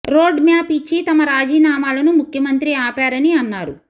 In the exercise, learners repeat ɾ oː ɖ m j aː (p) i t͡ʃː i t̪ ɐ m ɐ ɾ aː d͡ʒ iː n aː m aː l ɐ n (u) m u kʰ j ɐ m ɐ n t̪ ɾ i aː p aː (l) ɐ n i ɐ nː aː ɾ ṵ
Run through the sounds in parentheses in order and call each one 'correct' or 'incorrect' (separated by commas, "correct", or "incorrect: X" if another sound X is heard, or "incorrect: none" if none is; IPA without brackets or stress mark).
correct, correct, incorrect: ɾ